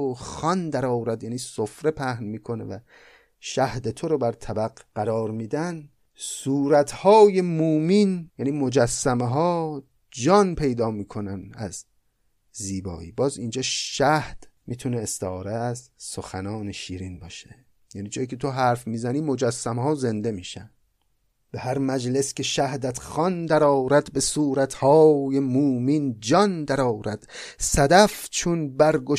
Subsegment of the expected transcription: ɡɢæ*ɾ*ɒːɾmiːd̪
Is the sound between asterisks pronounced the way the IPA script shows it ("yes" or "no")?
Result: yes